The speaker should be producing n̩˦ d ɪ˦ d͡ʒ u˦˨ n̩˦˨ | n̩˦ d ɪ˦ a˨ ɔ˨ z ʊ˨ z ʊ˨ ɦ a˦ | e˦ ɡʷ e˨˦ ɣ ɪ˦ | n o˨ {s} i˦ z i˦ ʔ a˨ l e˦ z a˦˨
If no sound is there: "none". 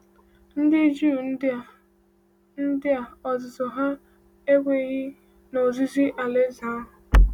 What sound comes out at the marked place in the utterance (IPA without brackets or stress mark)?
z